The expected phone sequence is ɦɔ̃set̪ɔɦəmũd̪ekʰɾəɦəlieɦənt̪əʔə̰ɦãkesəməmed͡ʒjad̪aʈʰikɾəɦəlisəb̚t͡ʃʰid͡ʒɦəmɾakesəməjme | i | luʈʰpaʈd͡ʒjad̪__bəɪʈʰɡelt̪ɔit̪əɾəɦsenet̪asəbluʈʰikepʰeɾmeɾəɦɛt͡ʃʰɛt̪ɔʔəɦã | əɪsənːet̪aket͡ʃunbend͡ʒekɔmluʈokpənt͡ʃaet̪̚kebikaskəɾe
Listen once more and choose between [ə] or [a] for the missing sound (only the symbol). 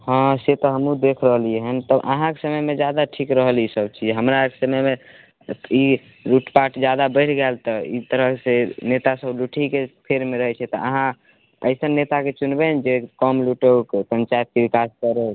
a